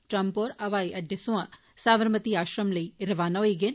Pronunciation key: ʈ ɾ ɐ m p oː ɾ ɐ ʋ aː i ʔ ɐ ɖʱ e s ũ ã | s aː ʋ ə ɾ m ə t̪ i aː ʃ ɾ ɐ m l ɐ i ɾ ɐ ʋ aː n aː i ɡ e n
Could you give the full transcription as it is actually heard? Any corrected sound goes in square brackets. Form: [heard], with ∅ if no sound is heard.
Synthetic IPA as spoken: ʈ ɾ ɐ m p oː ɾ ɐ ʋ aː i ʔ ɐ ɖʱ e s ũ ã | s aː ʋ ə ɾ m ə t̪ i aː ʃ ɾ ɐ m l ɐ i ɾ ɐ ʋ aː n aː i ɡ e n